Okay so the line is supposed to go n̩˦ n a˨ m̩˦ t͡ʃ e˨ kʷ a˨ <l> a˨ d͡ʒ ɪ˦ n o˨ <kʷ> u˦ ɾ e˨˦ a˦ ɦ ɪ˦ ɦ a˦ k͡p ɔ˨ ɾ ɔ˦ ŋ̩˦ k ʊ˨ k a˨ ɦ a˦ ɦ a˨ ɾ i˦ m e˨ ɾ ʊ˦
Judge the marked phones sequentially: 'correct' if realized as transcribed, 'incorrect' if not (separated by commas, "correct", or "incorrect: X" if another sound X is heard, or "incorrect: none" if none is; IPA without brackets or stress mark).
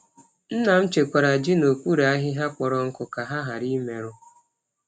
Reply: incorrect: ɾ, correct